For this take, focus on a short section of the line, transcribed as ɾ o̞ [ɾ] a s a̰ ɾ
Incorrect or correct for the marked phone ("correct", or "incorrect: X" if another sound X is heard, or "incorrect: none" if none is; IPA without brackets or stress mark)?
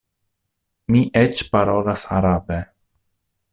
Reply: incorrect: l